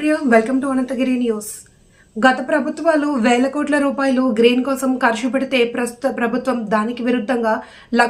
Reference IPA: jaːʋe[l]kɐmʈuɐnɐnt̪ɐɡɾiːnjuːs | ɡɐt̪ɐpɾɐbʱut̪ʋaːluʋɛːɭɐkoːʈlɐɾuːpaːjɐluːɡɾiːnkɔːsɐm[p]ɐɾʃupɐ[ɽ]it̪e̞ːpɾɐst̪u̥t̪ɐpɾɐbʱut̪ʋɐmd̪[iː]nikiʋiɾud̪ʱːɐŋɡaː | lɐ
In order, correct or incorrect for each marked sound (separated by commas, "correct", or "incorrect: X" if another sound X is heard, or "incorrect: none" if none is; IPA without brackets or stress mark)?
correct, incorrect: k, correct, incorrect: aː